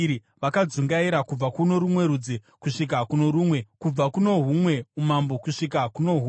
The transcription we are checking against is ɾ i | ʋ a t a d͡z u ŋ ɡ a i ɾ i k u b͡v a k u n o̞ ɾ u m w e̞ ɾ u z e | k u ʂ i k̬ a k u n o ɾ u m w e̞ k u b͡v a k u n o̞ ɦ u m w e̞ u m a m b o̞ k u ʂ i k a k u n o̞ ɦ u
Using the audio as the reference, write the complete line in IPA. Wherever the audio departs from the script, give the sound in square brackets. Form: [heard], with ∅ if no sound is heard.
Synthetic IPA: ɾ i | ʋ a [k] a d͡z u ŋ ɡ a i ɾ [a] k u b͡v a k u n o̞ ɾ u m w e̞ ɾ u [d͡z] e | k u ʂ i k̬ a k u n o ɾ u m w e̞ k u b͡v a k u n o̞ ɦ u m w e̞ u m a m b o̞ k u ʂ i k a k u n o̞ ɦ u